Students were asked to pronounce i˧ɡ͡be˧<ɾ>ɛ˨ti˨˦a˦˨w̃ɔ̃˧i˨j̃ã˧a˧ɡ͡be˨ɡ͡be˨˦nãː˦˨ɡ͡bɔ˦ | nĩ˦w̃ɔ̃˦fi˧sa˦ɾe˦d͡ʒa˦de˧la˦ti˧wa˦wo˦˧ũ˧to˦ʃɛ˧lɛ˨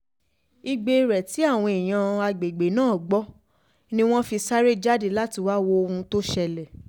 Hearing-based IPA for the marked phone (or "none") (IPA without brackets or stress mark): ɾ